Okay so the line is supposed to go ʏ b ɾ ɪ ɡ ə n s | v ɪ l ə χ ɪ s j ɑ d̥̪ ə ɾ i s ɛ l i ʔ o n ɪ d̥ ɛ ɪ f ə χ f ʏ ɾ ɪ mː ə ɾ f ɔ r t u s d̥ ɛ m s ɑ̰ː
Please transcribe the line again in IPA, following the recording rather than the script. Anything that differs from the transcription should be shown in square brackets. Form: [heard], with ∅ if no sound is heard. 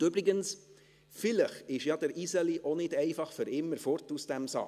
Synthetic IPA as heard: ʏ b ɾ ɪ ɡ ə n s | [f] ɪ l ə χ ɪ [ʃ] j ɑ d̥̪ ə ɾ i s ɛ l i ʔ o n ɪ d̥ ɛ ɪ f [ɑ] χ f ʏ ɾ ɪ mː ə ɾ f ɔ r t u s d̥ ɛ m s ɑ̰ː